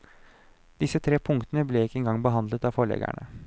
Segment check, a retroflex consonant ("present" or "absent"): present